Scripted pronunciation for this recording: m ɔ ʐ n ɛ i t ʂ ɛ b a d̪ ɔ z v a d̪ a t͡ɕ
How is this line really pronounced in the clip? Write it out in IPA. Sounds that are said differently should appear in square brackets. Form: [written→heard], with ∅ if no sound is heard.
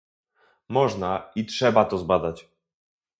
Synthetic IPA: m ɔ ʐ n [ɛ→a] i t ʂ ɛ b a [d̪→t̪] ɔ z [v→b] a d̪ a t͡ɕ